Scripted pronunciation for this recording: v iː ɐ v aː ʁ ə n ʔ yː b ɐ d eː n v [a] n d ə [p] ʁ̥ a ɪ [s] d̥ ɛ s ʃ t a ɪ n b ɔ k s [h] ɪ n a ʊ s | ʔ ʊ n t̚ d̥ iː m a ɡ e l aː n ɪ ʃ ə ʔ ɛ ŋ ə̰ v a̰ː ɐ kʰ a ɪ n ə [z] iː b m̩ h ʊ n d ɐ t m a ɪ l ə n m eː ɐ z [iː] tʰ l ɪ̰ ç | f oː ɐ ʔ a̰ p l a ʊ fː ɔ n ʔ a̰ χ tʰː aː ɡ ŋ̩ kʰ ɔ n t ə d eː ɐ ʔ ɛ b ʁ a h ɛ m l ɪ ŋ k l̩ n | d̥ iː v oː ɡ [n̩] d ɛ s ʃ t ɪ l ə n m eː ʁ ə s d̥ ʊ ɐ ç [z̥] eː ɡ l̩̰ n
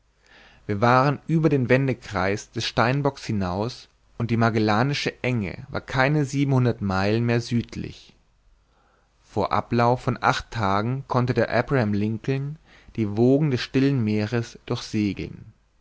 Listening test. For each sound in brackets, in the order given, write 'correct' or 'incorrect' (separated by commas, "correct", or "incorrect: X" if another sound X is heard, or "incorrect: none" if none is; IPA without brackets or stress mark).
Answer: incorrect: ɛ, incorrect: k, correct, correct, correct, incorrect: yː, incorrect: ŋ̩, correct